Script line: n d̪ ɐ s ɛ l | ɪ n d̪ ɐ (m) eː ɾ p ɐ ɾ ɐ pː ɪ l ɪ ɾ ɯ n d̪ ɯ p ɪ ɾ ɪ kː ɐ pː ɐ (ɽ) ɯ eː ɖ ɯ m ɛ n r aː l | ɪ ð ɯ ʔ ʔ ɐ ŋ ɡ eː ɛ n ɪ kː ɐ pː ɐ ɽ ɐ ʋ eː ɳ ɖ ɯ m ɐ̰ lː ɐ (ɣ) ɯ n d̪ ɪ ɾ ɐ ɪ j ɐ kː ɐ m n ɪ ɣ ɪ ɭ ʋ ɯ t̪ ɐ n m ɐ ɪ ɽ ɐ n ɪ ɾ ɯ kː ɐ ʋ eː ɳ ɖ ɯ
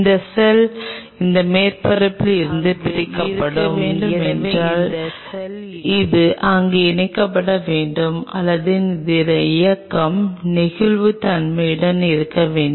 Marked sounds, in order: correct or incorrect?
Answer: correct, correct, incorrect

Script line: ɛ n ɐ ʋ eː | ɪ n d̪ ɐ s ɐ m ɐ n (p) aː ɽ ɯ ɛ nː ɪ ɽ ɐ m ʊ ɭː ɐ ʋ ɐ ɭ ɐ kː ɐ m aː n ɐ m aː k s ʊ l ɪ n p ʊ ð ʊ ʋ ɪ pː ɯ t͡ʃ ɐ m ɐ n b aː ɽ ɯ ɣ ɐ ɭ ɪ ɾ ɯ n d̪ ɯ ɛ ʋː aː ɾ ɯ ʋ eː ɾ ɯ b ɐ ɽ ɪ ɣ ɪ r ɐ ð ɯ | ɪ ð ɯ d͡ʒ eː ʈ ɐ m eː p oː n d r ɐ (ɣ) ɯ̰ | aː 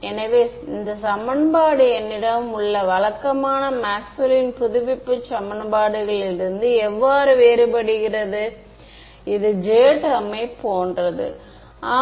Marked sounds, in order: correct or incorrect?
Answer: incorrect, incorrect

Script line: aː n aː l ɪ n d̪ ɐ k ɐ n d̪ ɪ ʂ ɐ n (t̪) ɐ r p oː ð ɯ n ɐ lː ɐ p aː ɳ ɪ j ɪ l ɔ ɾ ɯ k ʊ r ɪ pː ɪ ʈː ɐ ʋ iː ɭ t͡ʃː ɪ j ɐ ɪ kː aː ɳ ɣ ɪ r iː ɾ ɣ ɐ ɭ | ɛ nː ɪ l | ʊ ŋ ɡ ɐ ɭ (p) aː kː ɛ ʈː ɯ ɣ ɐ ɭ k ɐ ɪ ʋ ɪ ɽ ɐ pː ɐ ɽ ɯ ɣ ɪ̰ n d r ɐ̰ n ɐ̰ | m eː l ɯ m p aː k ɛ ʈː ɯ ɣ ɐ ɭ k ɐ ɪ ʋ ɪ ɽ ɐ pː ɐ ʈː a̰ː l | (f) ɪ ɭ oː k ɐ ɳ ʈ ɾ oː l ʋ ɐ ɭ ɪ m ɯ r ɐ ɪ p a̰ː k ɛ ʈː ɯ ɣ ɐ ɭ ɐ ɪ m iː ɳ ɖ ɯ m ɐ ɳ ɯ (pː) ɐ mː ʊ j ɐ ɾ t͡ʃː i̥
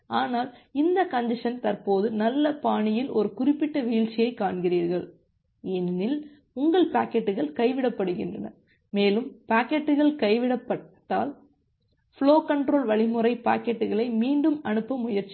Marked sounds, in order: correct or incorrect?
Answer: correct, correct, correct, correct

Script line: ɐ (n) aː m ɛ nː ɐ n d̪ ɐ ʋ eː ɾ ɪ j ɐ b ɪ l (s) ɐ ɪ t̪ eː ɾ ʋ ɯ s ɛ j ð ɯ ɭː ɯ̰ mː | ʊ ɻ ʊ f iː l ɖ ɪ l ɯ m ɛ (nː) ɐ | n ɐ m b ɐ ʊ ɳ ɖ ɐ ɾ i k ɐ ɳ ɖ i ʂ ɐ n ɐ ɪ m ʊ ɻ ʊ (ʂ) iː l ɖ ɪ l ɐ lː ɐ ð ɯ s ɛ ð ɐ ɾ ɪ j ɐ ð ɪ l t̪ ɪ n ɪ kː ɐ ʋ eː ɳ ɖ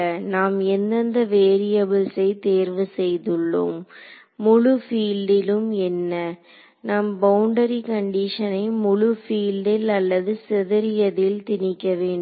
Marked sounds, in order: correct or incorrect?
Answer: correct, correct, correct, incorrect

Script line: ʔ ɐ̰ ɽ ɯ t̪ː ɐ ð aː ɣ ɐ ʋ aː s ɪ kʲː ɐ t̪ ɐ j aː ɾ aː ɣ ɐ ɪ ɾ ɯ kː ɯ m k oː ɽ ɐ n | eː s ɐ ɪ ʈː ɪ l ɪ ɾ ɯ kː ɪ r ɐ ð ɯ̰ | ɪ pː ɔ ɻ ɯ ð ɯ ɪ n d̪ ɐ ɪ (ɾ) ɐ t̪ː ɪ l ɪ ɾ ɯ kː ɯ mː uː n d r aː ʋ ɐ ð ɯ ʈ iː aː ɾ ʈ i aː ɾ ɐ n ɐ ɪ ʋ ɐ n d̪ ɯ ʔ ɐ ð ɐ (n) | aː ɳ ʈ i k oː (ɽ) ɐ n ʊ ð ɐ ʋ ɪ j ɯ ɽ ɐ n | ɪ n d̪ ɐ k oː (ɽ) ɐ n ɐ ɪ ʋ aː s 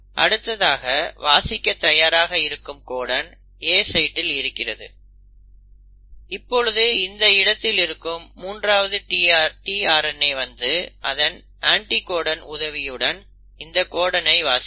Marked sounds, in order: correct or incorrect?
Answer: incorrect, correct, correct, correct

